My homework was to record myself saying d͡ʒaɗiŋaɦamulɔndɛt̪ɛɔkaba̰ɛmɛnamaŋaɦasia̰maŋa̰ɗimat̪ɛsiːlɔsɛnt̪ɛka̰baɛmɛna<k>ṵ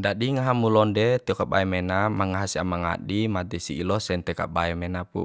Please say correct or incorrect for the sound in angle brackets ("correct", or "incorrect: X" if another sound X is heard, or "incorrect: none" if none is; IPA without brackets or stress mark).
incorrect: p